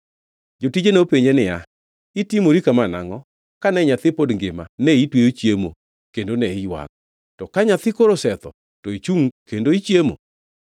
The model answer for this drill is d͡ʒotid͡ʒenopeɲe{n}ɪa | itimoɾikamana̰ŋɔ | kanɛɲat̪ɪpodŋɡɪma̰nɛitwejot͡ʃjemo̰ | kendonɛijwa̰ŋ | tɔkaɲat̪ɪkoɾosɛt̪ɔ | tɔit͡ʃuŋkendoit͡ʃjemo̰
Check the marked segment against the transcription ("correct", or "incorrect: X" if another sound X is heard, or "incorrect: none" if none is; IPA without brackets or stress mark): correct